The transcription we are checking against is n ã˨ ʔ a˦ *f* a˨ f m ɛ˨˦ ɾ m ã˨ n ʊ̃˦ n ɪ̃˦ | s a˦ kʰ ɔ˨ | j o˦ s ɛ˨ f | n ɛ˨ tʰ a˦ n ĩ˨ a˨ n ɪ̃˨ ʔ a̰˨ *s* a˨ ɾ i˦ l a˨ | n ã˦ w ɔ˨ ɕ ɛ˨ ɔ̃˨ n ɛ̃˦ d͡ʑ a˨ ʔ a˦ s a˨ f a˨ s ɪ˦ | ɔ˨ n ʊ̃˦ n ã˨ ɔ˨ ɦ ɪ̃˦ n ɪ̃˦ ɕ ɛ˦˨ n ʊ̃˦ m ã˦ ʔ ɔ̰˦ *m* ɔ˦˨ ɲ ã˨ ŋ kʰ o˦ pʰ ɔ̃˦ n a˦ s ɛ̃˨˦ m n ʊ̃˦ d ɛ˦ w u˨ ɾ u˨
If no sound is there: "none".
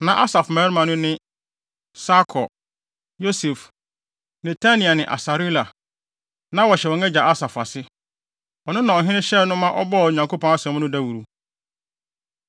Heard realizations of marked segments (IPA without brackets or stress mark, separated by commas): s, s, b